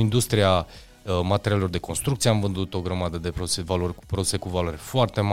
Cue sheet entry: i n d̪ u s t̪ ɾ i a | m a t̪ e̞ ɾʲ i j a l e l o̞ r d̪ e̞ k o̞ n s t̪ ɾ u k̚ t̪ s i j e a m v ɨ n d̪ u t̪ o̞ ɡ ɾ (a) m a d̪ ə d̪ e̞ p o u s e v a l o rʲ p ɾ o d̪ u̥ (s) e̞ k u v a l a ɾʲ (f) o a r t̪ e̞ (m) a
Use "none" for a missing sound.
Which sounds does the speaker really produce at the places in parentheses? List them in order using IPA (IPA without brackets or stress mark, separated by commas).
ə, s, f, m